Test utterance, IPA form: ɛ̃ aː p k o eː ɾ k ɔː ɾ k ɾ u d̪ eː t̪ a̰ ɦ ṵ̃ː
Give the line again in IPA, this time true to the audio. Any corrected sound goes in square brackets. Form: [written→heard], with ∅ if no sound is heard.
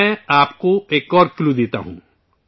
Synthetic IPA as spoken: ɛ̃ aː p k o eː [ɾ→∅] k ɔː ɾ k [ɾ→l] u d̪ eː t̪ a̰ ɦ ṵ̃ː